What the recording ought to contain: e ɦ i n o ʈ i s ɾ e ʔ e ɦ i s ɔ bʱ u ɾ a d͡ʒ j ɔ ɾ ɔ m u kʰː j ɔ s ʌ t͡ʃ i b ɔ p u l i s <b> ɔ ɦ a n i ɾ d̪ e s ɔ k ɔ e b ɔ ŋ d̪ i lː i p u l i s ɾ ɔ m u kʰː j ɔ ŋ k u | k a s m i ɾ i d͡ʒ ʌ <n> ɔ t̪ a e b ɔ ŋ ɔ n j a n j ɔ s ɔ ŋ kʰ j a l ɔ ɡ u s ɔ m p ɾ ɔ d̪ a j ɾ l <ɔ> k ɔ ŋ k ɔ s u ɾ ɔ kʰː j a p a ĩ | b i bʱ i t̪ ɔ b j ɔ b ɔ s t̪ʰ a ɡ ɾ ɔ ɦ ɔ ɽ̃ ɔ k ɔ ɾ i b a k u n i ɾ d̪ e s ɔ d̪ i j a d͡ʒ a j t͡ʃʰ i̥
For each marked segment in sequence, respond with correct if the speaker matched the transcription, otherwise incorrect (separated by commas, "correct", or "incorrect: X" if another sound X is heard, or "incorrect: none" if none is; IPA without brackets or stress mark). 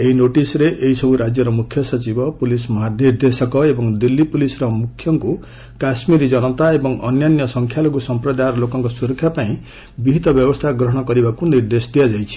incorrect: m, correct, incorrect: o